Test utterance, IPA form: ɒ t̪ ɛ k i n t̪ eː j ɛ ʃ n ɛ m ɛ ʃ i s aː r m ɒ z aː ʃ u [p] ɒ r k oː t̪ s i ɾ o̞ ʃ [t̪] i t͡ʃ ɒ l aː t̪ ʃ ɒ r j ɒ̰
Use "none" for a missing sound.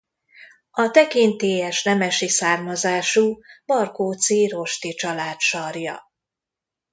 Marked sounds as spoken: b, t̪

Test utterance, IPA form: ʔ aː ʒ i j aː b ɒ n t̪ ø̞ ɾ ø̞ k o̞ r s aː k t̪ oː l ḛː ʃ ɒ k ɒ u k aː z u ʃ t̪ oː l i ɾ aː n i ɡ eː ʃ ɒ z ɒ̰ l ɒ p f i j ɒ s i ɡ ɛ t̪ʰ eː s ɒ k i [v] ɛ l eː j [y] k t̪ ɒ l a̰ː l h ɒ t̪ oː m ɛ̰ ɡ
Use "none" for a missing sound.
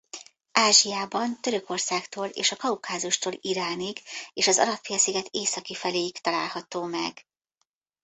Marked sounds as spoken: f, i

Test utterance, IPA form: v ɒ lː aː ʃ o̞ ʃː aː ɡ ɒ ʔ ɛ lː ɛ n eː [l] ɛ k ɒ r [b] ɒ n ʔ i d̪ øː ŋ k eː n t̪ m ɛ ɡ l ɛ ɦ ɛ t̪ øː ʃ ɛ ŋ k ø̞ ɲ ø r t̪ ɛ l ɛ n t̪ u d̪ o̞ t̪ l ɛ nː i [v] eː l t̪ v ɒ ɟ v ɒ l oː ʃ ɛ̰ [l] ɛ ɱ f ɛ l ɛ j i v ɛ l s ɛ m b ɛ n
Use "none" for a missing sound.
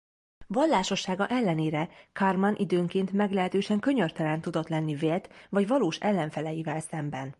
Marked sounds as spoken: ɾ, m, v, lː

